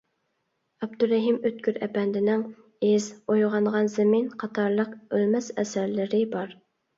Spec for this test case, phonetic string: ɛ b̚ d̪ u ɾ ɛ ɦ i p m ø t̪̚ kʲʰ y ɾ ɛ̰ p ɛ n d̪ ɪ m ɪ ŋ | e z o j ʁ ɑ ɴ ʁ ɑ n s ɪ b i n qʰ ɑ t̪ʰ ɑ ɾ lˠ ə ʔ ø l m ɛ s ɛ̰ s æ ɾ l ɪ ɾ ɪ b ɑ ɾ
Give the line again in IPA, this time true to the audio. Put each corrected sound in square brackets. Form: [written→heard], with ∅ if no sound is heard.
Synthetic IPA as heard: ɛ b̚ d̪ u ɾ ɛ ɦ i [p→∅] m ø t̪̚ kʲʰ y ɾ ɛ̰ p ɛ n d̪ ɪ [m→n] ɪ ŋ | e z o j ʁ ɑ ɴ ʁ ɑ n [s→z] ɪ [b→m] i n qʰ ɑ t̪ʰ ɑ ɾ lˠ ə [ʔ→q] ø l m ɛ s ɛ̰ s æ ɾ l ɪ ɾ ɪ b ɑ ɾ